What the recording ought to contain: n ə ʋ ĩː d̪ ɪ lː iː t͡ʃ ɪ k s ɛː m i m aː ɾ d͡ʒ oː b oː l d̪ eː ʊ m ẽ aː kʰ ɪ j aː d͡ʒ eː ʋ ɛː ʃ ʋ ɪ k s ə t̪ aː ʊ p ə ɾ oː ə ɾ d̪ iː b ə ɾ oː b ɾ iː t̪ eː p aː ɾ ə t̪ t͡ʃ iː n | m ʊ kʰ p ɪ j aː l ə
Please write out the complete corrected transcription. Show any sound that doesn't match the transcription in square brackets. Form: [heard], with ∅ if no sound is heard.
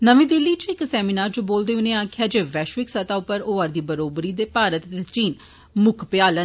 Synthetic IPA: n ə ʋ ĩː d̪ ɪ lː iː t͡ʃ ɪ k s ɛː m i [n] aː ɾ d͡ʒ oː b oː l d̪ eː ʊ [n] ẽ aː kʰ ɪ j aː d͡ʒ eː ʋ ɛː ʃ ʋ ɪ k s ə t̪ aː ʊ p ə ɾ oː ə ɾ d̪ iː b ə ɾ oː b ɾ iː [d̪] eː p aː ɾ ə t̪ t͡ʃ iː n | m ʊ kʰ p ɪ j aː l ə